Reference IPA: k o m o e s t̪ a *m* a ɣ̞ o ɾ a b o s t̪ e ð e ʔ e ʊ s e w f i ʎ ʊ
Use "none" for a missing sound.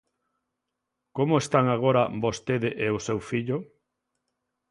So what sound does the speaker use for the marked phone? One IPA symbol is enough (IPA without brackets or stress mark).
ŋ